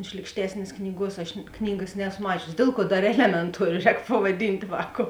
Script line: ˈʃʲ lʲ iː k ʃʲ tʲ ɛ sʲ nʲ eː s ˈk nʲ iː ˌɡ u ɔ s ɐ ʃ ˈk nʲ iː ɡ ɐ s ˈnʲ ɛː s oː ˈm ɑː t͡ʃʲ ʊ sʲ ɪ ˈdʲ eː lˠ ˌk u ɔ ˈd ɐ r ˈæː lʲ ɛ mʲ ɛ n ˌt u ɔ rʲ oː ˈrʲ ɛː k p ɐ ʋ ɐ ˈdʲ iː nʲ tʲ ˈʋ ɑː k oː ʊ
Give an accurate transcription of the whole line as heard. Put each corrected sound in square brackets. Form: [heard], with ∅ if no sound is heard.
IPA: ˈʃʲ lʲ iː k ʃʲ tʲ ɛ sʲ nʲ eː s ˈk nʲ iː ˌɡ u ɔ s ɐ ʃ ˈk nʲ iː ɡ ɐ s ˈnʲ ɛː s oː ˈm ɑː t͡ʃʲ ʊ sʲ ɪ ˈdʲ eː lˠ ˌk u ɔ ˈd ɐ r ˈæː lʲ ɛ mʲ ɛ n ˌt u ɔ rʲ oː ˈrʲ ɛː k p ɐ ʋ ɐ ˈdʲ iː nʲ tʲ ˈʋ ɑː k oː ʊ